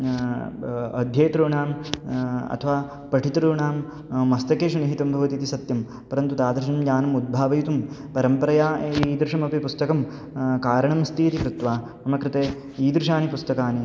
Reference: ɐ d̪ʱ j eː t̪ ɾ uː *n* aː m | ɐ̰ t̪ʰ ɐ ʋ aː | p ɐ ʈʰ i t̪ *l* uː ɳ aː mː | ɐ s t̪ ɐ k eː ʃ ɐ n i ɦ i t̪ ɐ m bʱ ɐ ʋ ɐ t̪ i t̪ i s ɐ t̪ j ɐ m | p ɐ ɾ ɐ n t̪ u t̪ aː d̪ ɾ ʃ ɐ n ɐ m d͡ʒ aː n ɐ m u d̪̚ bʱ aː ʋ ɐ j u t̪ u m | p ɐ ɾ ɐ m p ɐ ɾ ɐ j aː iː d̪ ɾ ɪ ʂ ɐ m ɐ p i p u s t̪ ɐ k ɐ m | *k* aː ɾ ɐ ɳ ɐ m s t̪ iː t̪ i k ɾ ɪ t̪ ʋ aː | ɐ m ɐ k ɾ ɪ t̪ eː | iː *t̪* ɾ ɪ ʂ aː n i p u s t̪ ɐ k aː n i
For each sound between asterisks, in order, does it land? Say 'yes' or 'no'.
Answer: no, no, yes, no

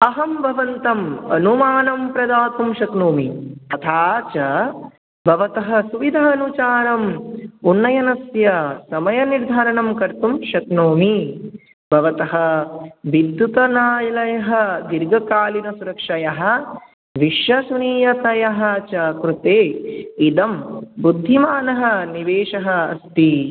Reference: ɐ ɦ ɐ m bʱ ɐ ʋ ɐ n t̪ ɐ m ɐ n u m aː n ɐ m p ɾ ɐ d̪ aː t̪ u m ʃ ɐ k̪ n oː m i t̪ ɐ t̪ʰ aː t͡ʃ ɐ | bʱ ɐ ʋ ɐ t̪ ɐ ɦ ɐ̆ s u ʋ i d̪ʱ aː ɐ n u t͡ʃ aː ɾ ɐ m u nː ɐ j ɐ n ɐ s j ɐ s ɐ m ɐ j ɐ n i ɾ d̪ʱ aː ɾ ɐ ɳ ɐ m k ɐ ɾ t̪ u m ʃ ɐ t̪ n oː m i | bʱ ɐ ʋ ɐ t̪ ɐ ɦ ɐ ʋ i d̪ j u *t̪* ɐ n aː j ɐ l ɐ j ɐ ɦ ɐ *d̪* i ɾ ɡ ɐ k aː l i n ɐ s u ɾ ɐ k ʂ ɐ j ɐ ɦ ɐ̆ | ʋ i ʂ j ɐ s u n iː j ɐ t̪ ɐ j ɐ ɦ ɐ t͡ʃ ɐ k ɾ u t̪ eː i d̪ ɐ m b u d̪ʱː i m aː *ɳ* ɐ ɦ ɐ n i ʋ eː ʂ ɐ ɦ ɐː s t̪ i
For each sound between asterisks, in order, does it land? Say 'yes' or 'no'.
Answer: yes, yes, no

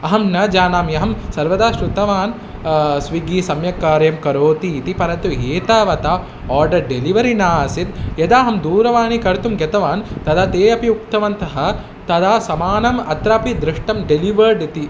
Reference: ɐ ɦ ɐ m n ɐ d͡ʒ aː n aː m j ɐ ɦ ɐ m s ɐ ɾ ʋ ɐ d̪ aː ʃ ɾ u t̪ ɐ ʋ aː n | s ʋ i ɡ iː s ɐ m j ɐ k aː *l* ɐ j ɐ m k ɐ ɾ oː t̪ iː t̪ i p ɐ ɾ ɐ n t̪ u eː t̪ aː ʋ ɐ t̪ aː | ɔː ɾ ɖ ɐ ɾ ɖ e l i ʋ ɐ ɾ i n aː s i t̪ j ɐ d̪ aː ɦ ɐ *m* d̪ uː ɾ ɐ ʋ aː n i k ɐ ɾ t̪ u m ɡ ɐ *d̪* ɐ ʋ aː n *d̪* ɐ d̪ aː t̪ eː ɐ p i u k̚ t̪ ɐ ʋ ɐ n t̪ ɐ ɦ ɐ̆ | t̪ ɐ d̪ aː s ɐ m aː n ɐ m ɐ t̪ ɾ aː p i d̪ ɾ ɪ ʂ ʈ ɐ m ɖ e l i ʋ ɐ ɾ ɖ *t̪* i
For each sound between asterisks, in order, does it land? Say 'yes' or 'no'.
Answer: no, yes, no, no, yes

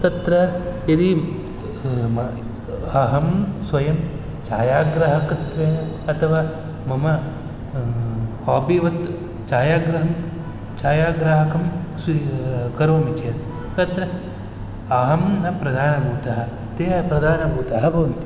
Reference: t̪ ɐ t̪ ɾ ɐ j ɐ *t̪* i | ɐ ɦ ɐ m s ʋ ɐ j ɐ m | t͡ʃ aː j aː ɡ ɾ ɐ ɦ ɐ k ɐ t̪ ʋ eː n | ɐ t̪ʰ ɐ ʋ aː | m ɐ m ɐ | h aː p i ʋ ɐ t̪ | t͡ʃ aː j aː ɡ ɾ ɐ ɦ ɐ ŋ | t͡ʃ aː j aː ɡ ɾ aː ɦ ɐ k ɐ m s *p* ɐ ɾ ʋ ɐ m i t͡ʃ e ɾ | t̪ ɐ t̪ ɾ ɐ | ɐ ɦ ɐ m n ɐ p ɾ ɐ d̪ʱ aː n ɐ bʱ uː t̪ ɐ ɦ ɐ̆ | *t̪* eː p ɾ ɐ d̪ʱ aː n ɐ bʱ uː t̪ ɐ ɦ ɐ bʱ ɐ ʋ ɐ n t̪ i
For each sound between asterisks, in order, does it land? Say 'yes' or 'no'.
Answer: no, no, yes

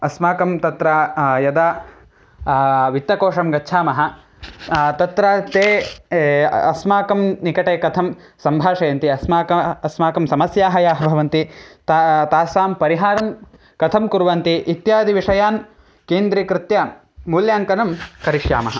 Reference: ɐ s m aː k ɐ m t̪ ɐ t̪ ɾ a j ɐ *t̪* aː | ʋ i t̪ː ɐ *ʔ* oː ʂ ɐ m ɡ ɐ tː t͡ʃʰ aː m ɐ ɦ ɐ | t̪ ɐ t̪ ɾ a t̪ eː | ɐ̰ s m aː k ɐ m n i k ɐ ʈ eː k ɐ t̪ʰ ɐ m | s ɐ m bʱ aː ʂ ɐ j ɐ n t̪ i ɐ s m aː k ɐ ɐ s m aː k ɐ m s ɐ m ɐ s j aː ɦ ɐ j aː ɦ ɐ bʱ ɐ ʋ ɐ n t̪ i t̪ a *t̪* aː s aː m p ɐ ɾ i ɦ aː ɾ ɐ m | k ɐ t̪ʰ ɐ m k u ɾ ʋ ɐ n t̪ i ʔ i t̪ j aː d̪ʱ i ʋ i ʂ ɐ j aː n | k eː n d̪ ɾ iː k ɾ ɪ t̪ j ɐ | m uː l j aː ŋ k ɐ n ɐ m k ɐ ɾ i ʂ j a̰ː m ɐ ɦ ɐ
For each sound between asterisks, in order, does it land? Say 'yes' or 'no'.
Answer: no, no, yes

